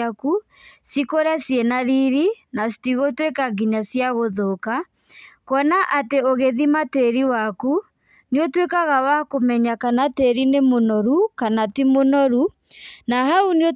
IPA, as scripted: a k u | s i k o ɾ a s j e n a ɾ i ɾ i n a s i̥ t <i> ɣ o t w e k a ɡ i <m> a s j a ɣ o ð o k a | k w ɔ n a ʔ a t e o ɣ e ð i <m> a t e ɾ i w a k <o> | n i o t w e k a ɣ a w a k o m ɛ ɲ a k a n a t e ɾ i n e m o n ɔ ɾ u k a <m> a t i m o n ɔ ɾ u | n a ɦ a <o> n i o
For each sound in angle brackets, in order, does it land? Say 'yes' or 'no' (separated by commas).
yes, no, yes, no, no, no